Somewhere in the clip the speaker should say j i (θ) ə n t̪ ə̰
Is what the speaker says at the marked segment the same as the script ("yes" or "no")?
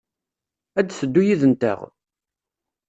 no